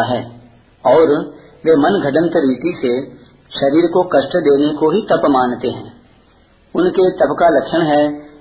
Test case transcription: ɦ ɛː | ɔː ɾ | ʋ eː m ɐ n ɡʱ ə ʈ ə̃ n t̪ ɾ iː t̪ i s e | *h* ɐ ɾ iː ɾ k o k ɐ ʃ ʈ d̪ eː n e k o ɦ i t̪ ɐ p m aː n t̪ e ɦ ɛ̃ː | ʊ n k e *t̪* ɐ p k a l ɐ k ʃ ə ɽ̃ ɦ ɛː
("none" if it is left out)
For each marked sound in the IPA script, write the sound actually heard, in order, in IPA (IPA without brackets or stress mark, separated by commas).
ʃ, t̪